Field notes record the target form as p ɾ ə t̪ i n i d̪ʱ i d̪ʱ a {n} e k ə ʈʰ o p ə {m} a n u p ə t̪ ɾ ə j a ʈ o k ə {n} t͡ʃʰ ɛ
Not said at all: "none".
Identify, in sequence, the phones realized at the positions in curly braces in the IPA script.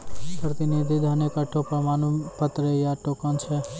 n, m, n

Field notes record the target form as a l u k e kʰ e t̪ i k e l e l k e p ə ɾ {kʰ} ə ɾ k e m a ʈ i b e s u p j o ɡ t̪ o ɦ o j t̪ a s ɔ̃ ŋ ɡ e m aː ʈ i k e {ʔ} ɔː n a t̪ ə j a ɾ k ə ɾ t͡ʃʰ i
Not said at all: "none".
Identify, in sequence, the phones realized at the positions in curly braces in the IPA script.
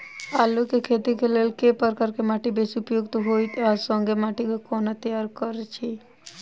k, k

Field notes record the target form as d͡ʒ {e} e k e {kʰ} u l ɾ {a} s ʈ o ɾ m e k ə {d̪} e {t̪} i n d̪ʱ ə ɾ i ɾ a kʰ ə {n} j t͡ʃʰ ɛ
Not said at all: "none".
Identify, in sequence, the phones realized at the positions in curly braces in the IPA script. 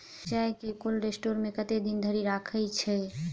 a, k, e, t̪, d̪, none

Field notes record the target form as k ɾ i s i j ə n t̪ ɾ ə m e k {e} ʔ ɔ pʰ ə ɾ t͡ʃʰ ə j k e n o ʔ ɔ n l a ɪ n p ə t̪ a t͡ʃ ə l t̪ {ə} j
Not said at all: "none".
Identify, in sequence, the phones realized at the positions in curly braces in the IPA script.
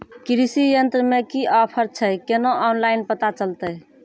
i, ə

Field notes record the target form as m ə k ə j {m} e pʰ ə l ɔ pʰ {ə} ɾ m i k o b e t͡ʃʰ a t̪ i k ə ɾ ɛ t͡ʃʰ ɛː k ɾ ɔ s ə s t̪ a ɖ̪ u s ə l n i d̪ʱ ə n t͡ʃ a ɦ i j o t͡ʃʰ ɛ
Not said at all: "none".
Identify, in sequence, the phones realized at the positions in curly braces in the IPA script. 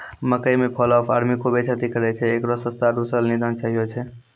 m, a

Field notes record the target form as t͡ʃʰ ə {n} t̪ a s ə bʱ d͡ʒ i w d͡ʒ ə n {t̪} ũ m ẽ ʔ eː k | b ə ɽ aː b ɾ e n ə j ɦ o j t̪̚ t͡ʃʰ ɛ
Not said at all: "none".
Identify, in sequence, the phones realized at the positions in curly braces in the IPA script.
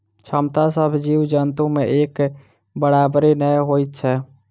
m, t̪

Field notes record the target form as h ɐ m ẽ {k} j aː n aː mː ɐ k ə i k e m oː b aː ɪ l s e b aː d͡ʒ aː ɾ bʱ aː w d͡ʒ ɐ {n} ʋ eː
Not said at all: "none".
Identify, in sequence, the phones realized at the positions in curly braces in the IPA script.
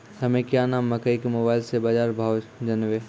k, n

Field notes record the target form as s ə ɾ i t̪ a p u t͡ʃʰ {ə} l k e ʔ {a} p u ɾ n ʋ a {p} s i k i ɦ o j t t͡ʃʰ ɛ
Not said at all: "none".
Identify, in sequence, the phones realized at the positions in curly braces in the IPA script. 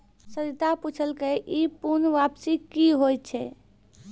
ə, i, p

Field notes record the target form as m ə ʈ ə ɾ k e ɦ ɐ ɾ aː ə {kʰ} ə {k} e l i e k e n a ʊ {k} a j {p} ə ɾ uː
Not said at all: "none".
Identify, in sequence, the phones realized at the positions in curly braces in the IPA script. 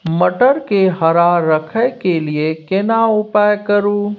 kʰ, k, p, k

